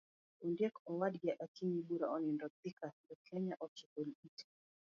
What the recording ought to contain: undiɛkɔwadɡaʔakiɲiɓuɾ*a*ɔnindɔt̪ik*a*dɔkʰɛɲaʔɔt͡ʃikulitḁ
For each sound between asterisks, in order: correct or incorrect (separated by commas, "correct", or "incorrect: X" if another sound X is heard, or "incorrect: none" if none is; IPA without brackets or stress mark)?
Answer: correct, correct